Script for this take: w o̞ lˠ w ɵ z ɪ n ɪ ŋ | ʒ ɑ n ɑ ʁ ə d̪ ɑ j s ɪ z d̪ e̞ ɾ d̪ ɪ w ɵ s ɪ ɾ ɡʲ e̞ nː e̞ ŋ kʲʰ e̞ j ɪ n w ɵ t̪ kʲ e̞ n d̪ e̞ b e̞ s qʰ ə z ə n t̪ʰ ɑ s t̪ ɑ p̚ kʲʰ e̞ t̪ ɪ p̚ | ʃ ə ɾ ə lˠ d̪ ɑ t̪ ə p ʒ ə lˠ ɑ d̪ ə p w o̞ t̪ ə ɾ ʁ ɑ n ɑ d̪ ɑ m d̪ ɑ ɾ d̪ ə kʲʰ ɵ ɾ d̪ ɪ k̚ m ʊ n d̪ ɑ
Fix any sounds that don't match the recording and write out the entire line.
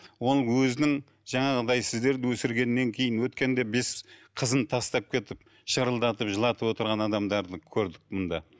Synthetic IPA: w o̞ lˠ w ɵ z ɪ n ɪ ŋ | ʒ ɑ ɴ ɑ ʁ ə d̪ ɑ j s ɪ z d̪ e̞ ɾ d̪ ɪ w ɵ s ɪ ɾ ɡʲ e̞ nː e̞ ŋ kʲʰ e̞ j ɪ n w ɵ t̪ kʲ e̞ n d̪ e̞ b e̞ s qʰ ə z ə n t̪ʰ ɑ s t̪ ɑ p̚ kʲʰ e̞ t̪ ɪ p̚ | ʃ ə ɾ ə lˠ d̪ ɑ t̪ ə p ʒ ə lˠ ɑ t̪ ə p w o̞ t̪ ə ɾ ʁ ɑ n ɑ d̪ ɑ m d̪ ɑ ɾ d̪ ə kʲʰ ɵ ɾ d̪ ɪ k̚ m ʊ n d̪ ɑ